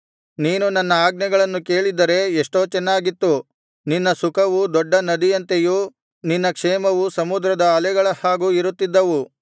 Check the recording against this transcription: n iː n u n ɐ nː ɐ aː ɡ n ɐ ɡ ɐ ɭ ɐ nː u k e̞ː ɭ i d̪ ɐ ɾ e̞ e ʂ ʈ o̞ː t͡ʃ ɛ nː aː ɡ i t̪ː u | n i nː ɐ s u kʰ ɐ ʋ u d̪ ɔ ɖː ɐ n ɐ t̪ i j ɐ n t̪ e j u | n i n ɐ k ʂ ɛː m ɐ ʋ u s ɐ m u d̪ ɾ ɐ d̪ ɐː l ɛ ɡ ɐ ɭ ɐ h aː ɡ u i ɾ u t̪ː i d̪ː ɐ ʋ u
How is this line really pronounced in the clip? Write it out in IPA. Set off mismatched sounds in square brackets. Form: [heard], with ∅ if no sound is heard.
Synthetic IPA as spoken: n iː n u n ɐ nː ɐ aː ɡ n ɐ ɡ ɐ ɭ ɐ nː u k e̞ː ɭ i d̪ ɐ ɾ e̞ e ʂ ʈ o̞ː t͡ʃ ɛ nː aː ɡ i t̪ː u | n i nː ɐ s u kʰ ɐ ʋ u d̪ ɔ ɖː ɐ n ɐ [d̪] i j ɐ n t̪ e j u | n i [nː] ɐ k ʂ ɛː m ɐ ʋ u s ɐ m u d̪ ɾ ɐ d̪ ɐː l ɛ ɡ ɐ ɭ ɐ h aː ɡ u i ɾ u t̪ː i d̪ː ɐ ʋ u